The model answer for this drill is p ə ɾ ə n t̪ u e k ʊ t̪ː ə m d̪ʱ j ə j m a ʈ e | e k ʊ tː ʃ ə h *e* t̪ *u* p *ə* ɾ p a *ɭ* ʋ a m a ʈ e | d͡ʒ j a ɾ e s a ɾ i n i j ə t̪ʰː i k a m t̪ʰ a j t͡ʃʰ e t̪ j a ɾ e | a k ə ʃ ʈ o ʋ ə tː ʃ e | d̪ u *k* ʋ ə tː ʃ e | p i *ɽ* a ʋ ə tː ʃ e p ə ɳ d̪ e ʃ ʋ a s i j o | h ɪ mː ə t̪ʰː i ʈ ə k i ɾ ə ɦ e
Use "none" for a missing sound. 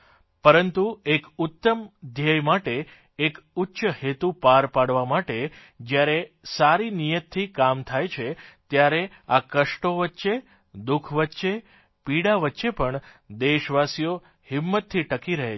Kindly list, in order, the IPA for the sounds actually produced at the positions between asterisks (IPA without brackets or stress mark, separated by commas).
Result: e, u, a, ɽ, kʰ, ɽ